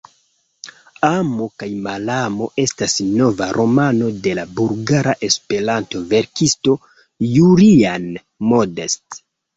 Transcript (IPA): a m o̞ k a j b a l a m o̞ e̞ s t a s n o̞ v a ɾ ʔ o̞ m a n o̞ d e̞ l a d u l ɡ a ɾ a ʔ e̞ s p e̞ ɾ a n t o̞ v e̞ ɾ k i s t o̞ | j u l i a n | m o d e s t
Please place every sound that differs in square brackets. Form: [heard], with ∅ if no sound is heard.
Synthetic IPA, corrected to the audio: a m o̞ k a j [m] a l a m o̞ e̞ s t a s n o̞ v a ɾ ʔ o̞ m a n o̞ d e̞ l a [b] u l ɡ a ɾ a ʔ e̞ s p e̞ ɾ a n t o̞ v e̞ ɾ k i s t o̞ | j u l i a n | m o d e s t